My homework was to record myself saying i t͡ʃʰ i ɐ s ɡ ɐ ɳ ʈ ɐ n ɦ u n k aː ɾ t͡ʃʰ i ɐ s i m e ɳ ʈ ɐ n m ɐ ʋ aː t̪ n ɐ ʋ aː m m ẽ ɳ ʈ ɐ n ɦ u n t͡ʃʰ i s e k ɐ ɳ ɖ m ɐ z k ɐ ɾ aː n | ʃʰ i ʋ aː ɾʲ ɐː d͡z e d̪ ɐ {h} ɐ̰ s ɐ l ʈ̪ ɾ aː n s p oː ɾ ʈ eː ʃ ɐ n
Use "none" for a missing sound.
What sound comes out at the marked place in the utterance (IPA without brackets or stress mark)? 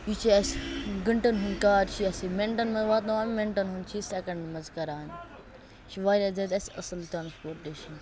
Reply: s